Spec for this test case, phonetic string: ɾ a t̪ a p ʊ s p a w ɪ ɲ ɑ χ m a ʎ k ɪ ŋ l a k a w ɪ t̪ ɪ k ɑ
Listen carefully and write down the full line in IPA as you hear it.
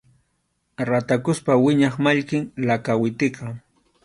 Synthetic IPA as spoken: ɾ a t̪ a k ʊ s p a w ɪ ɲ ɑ χ m a ʎ k ɪ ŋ l a k a w ɪ t̪ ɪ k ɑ